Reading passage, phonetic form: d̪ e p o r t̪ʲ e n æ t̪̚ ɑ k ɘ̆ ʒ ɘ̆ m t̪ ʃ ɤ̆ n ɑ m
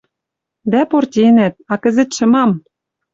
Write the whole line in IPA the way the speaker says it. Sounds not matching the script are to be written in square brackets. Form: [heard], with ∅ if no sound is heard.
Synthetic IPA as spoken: d̪ [æ] p o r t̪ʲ e n æ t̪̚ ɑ k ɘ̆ [z] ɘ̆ [∅] t̪ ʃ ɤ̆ [m] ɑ m